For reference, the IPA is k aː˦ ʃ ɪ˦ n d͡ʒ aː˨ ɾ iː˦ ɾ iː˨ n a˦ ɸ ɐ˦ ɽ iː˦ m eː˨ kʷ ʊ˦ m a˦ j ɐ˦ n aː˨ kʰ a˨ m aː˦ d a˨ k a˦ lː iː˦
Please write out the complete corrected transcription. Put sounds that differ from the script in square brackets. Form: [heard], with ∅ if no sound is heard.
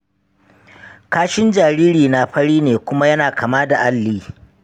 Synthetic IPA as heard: k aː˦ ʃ ɪ˦ n d͡ʒ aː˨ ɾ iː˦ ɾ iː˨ n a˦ ɸ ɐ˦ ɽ iː˦ [n] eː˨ kʷ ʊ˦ m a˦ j ɐ˦ n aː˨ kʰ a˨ m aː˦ d a˨ [ʔ] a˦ lː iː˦